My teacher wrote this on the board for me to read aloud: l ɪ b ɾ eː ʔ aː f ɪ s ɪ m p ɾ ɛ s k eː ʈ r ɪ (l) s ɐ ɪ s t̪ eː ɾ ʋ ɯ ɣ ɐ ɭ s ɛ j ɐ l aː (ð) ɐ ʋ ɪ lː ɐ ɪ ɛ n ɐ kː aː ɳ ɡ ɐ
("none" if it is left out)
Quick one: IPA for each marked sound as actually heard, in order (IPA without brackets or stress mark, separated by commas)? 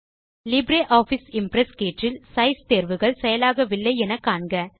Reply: l, ɣ